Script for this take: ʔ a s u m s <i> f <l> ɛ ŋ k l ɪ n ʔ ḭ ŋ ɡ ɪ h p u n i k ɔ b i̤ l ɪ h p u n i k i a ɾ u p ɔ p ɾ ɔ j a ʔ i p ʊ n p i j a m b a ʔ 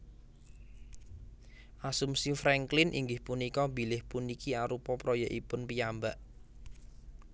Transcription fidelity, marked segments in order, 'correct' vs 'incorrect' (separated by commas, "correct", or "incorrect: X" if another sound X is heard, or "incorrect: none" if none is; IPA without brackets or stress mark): correct, incorrect: ɾ